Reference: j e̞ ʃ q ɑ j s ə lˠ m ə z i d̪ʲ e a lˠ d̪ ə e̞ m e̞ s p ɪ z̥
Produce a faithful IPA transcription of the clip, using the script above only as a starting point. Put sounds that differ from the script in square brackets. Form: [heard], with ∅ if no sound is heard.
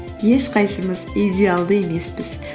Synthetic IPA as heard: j e̞ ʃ q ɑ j s ə [∅] m ə z i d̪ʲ e a lˠ d̪ ə e̞ m e̞ s p ɪ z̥